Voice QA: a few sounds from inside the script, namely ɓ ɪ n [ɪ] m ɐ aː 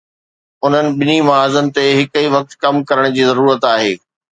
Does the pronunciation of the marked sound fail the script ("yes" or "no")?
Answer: yes